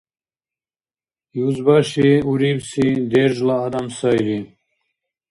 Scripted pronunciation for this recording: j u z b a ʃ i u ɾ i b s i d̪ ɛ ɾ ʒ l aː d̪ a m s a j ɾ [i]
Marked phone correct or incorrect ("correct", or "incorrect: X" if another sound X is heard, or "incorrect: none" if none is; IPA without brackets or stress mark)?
correct